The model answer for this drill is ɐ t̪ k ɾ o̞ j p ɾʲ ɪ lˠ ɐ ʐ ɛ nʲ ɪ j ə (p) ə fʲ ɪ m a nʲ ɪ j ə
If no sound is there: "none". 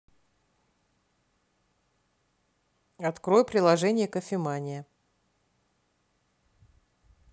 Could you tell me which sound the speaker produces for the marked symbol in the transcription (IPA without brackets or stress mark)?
k